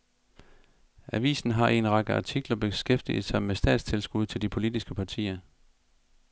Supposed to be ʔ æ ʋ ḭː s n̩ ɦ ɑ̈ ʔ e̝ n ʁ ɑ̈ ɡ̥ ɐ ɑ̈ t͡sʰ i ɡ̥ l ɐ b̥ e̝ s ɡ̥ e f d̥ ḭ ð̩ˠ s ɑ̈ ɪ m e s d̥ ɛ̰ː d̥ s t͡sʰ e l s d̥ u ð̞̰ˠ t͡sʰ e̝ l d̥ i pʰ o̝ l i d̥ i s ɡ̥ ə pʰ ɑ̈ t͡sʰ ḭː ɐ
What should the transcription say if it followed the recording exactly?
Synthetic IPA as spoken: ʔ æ ʋ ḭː s n̩ ɦ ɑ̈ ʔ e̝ n ʁ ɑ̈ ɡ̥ ə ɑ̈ t͡sʰ i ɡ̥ l ɐ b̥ e̝ s ɡ̥ e f d̥ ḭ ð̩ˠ s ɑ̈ ɪ m e s d̥ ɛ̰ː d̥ s t͡sʰ e l s ɡ̥ u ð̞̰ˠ t͡sʰ e̝ l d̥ i pʰ o̝ l i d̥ i s ɡ̥ ə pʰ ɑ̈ t͡sʰ ḭː ɐ